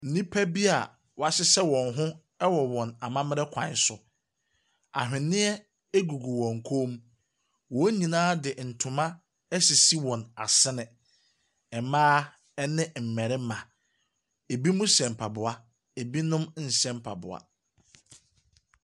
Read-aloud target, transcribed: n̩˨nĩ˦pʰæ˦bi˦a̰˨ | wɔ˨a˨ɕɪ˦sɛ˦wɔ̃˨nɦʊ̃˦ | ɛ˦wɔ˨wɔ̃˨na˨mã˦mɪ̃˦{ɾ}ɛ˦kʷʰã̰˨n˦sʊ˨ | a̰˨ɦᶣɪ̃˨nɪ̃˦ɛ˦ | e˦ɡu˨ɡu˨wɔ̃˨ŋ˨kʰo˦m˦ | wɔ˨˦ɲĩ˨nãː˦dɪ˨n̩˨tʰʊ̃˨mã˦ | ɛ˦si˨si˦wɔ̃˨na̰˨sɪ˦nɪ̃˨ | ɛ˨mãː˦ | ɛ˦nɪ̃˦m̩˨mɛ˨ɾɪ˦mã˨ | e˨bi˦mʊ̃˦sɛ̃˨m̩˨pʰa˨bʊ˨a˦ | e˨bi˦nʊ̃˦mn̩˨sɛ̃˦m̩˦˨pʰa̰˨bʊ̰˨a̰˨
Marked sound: correct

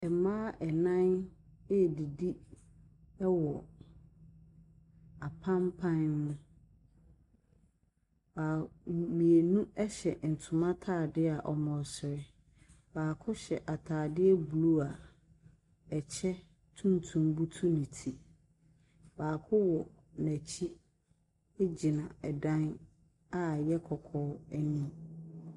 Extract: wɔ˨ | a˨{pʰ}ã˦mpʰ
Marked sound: correct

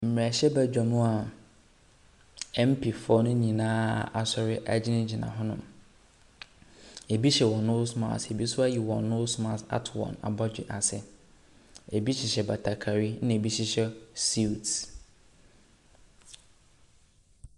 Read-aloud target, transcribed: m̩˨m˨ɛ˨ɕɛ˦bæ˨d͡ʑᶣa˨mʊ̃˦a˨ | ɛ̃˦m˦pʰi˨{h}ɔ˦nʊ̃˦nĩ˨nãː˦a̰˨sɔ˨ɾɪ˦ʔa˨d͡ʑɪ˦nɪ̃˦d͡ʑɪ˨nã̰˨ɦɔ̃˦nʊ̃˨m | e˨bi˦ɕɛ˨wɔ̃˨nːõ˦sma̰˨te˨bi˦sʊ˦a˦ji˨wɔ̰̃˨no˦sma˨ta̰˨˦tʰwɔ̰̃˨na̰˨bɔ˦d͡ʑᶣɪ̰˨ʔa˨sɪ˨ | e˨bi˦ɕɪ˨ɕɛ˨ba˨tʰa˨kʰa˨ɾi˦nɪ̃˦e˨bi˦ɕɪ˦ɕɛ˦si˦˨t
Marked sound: incorrect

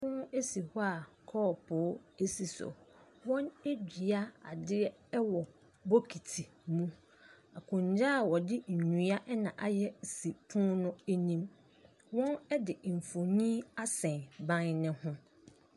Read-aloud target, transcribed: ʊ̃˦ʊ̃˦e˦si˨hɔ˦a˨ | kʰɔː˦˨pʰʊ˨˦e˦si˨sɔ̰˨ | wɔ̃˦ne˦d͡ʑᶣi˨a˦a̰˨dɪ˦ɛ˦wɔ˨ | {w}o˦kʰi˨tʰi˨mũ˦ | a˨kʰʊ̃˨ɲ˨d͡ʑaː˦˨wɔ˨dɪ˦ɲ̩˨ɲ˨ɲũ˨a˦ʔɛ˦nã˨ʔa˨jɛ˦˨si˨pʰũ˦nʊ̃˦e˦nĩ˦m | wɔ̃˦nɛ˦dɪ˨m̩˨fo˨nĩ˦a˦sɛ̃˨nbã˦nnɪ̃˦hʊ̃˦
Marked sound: incorrect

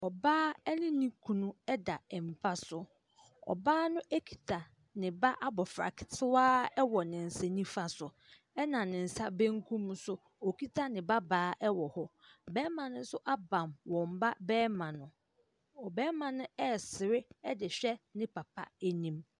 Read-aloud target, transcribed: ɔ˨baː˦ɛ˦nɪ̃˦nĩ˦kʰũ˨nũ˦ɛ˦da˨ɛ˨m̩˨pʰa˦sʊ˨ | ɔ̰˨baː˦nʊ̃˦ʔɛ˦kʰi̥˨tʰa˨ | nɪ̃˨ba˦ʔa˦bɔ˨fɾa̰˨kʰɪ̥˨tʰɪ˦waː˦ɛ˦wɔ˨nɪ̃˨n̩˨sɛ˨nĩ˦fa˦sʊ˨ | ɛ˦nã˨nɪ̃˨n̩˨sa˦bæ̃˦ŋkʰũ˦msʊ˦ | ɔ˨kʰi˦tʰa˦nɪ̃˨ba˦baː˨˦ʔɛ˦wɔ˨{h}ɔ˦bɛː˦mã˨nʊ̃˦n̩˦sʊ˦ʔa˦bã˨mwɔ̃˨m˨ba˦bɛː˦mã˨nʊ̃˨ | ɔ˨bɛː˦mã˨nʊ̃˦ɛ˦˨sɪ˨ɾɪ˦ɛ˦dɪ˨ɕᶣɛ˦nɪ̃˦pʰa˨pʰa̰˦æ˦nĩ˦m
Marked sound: correct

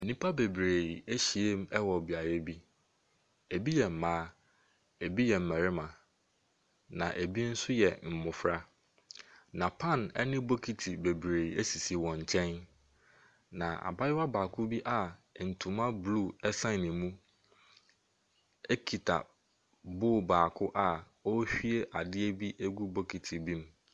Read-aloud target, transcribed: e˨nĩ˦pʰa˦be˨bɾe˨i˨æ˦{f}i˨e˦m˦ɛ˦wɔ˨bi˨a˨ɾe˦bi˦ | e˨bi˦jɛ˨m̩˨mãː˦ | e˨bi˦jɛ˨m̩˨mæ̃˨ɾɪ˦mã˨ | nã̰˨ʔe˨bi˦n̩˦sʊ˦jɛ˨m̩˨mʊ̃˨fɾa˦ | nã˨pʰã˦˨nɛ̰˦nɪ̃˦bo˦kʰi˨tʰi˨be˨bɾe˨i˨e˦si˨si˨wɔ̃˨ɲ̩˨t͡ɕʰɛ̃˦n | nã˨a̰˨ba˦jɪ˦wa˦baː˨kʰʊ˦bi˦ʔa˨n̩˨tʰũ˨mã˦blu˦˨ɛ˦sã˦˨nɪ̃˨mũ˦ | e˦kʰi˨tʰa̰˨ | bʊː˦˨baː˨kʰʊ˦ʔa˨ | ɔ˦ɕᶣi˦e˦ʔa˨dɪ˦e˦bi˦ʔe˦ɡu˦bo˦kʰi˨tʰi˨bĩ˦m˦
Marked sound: incorrect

